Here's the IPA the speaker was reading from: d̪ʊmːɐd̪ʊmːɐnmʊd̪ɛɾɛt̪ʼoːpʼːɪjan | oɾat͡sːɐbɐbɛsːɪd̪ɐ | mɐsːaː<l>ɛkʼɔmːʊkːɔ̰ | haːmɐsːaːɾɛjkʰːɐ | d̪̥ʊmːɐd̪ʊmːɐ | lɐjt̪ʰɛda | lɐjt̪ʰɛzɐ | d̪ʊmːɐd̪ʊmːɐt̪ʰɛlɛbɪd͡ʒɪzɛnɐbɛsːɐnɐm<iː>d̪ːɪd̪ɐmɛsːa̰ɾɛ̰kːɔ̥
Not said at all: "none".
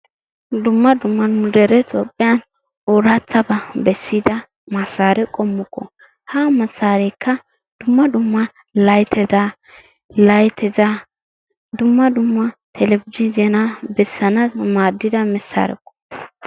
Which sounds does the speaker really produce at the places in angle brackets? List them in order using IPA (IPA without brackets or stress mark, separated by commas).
ɾ, aː